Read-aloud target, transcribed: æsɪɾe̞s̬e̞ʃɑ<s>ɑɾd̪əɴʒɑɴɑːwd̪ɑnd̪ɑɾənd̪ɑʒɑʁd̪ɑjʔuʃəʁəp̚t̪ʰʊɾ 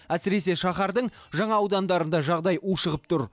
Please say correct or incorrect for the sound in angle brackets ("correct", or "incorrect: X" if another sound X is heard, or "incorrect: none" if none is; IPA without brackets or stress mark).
incorrect: χ